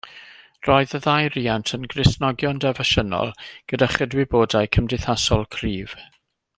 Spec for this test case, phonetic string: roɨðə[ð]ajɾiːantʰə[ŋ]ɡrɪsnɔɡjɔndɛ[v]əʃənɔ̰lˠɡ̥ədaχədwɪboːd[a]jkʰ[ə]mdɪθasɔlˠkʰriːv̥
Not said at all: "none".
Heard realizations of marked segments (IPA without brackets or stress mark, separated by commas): ð, n, v, a, ə